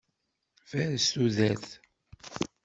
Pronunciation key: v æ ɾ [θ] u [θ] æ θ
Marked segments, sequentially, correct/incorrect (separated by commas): incorrect, incorrect